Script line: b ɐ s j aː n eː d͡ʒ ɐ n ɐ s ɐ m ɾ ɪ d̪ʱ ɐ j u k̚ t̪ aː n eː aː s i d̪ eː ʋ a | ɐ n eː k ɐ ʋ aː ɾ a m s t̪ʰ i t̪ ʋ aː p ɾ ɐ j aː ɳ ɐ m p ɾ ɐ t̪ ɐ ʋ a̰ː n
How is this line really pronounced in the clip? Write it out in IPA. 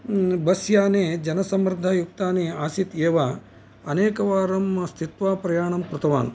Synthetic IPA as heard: b ɐ s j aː n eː d͡ʒ ɐ n ɐ s ɐ m ɾ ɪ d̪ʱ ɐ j u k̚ t̪ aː n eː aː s i t̪ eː ʋ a | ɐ n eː k ɐ ʋ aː ɾ ɐ m s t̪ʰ i t̪ ʋ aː p ɾ ɐ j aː ɳ ɐ m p ɾ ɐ t̪ ɐ ʋ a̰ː n